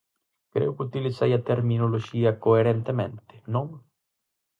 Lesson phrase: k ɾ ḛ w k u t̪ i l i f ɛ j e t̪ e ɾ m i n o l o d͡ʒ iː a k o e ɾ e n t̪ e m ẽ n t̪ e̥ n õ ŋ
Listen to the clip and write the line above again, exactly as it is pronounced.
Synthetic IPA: k ɾ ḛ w k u t̪ i l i s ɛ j a t̪ e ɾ m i n o l o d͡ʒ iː a k o e ɾ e n t̪ e m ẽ n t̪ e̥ n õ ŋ